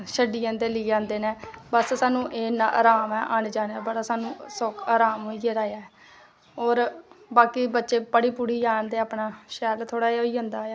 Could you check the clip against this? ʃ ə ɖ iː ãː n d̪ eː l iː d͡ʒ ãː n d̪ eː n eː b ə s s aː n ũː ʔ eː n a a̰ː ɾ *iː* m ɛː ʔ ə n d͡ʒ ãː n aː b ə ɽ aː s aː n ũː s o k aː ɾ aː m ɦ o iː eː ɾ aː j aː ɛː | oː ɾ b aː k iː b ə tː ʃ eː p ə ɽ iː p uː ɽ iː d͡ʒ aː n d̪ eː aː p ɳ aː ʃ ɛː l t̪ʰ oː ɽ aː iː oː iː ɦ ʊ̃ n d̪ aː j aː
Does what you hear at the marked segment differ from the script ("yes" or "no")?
yes